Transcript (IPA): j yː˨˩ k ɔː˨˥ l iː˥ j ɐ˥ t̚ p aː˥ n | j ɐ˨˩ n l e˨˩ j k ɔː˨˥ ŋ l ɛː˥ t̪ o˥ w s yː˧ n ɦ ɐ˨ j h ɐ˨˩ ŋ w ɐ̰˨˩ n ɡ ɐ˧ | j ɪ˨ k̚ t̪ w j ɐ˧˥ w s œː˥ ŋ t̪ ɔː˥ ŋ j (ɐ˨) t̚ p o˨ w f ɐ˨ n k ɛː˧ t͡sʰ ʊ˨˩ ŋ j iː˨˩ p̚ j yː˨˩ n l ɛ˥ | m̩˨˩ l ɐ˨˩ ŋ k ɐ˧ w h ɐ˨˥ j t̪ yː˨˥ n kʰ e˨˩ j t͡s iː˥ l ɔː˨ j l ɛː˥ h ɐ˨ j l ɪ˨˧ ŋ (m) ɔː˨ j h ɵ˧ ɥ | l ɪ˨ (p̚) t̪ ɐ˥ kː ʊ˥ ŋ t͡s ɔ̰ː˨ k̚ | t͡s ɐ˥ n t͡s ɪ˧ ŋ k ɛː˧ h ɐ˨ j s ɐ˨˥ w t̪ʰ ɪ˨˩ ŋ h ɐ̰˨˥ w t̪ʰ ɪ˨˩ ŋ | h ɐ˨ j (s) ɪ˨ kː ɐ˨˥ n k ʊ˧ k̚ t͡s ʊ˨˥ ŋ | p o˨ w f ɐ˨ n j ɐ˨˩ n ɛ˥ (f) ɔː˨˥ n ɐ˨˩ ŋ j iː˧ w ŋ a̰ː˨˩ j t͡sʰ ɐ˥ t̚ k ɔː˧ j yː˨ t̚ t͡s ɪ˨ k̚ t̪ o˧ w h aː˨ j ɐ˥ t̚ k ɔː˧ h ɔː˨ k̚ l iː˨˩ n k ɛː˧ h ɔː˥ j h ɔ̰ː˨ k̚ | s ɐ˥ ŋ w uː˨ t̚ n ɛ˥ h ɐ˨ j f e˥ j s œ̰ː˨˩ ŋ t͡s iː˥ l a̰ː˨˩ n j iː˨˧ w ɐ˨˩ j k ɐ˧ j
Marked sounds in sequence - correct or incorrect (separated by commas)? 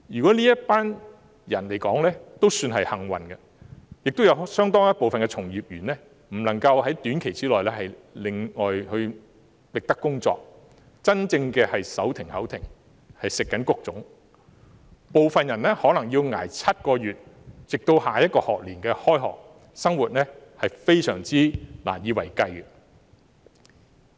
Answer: incorrect, incorrect, incorrect, correct, incorrect